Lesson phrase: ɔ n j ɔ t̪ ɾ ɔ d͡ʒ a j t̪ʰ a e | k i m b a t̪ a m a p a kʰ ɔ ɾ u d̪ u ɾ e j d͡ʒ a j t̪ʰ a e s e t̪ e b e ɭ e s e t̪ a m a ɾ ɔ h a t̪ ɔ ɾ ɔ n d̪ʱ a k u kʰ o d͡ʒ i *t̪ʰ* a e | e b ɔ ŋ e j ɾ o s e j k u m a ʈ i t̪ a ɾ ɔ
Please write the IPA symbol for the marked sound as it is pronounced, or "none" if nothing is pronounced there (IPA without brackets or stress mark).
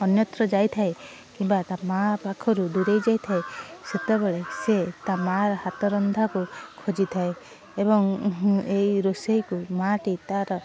t̪ʰ